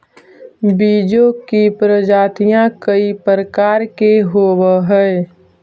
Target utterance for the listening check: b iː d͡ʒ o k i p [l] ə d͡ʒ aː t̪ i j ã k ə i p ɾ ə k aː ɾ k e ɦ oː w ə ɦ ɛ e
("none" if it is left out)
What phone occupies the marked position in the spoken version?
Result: ɾ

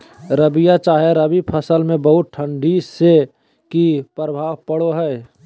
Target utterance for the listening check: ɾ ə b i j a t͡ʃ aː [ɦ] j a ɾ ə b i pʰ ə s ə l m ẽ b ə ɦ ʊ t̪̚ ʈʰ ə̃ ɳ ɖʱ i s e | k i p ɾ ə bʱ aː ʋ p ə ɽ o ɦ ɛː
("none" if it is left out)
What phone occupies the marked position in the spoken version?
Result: ɦ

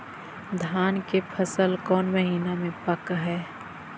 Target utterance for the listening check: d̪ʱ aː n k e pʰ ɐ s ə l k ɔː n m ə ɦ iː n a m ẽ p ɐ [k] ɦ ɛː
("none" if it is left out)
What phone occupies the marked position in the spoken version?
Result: k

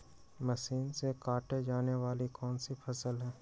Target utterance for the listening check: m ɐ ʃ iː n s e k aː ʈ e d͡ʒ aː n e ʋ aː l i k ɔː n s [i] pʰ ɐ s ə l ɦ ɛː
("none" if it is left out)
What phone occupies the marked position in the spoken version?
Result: i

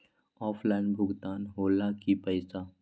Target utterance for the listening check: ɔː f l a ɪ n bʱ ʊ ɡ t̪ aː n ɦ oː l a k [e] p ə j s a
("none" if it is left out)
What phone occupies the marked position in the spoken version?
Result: i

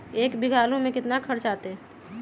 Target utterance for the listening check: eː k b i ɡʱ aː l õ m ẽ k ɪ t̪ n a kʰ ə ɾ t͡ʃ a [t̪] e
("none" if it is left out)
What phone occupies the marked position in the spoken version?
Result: t̪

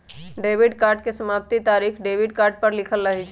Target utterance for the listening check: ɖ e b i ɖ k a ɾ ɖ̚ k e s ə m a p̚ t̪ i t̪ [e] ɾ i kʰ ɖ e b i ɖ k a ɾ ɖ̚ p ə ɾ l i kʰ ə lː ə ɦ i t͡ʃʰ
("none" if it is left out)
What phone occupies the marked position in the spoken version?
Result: a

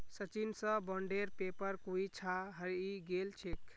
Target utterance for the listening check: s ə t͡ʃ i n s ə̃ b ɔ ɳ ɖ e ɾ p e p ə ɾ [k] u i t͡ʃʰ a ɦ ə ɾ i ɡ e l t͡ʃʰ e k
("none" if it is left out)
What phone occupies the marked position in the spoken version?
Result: k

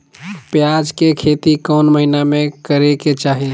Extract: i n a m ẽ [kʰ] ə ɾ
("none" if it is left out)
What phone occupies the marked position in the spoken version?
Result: k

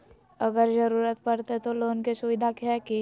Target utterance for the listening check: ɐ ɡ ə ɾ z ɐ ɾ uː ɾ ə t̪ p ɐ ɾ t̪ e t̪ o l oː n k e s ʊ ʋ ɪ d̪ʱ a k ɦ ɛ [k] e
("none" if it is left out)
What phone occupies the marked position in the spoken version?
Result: k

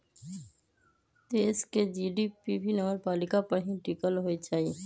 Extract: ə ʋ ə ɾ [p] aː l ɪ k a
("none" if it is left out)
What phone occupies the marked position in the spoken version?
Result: p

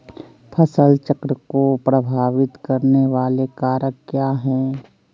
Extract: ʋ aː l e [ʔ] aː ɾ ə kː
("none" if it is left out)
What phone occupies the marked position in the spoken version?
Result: k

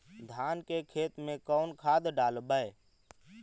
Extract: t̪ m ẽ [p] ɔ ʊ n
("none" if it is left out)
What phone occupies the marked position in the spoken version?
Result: k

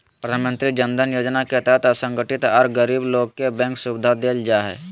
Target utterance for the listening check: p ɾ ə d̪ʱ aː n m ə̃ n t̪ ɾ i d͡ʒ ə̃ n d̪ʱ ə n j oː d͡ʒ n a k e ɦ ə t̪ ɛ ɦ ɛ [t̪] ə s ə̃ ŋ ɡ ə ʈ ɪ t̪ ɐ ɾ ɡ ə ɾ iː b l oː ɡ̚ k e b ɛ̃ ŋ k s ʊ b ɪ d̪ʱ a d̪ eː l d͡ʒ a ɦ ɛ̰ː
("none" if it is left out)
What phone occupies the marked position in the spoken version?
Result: t̪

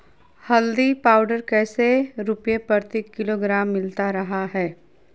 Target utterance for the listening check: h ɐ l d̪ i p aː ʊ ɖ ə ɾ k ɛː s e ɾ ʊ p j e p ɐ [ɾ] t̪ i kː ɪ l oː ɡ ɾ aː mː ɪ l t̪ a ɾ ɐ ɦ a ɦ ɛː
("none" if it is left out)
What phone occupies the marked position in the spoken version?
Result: ɾ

